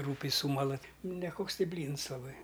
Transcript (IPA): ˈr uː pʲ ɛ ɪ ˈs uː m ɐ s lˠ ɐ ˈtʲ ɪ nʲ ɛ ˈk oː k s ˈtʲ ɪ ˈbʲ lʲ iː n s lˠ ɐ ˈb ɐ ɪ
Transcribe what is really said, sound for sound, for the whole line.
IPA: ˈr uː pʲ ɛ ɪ ˈs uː m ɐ lˠ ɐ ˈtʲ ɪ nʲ ɛ ˈk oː k s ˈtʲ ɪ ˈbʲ lʲ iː n s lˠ ɐ ˈb ɐ ɪ